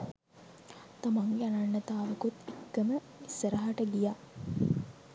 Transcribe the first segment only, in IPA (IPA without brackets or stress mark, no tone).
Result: t̪